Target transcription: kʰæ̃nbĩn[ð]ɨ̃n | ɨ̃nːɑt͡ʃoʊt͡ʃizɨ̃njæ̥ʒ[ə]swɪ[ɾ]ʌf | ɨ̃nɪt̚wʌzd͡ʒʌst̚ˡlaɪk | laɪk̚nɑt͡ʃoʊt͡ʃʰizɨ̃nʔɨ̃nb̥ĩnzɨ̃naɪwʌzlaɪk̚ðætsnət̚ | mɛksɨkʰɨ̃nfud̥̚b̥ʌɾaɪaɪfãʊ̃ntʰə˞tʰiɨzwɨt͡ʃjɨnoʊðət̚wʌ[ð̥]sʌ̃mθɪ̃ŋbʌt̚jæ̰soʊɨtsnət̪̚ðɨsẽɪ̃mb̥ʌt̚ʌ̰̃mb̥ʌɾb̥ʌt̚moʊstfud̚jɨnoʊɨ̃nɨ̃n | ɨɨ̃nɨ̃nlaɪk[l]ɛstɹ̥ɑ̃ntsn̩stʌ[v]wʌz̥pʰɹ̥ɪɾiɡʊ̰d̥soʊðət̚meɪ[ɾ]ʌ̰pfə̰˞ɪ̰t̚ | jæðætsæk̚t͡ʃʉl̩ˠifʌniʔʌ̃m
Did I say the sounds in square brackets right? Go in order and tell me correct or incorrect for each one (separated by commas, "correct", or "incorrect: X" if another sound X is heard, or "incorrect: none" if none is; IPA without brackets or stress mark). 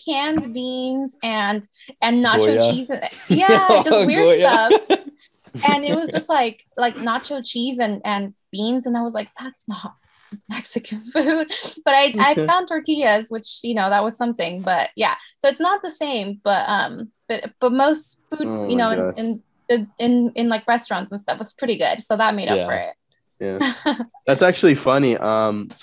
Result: incorrect: z, incorrect: ʌ, incorrect: ɹ, incorrect: z̥, incorrect: ɹ, incorrect: f, correct